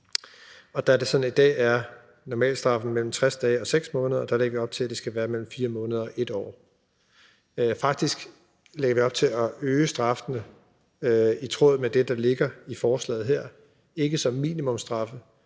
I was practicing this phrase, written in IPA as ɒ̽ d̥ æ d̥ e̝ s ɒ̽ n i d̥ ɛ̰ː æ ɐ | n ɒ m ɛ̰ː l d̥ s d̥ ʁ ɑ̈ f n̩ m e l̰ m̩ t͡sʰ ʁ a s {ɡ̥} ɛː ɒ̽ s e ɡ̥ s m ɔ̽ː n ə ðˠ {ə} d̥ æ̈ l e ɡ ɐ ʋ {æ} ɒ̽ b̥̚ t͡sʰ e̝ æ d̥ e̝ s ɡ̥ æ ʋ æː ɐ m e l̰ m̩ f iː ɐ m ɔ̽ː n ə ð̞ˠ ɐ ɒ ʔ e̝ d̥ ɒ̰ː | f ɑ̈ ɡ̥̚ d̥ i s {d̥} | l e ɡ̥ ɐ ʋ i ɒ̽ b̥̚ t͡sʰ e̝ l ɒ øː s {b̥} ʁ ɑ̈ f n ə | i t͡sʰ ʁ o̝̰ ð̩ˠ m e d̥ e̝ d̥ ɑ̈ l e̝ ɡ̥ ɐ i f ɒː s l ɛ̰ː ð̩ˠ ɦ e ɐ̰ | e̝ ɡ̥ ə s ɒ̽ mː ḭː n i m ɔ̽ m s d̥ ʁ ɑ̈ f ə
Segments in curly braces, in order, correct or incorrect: incorrect: d̥, incorrect: ɐ, incorrect: i, incorrect: ɡ̥, incorrect: d̥

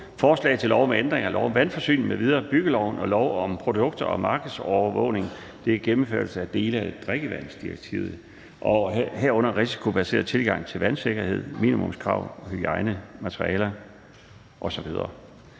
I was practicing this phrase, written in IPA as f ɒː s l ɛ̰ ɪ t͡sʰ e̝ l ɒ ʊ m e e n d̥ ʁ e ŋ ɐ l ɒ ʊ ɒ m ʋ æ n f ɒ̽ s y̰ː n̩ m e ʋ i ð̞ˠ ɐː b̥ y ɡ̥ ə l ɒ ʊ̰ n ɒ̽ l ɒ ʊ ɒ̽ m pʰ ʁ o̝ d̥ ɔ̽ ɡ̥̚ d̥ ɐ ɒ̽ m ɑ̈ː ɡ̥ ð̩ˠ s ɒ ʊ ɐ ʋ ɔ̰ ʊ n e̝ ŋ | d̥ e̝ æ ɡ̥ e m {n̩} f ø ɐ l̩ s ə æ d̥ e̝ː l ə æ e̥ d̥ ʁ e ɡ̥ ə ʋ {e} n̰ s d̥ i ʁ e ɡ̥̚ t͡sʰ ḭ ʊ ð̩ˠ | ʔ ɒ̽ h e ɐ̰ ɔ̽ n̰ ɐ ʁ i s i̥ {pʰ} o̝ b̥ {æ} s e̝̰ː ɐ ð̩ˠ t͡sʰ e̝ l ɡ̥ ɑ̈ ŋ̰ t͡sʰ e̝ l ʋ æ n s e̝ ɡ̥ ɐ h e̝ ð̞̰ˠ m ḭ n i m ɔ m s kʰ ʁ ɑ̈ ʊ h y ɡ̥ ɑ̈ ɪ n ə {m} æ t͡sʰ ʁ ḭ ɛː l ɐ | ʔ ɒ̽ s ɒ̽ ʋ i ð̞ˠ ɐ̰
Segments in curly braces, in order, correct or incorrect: incorrect: m̩, incorrect: æ, incorrect: kʰ, correct, correct

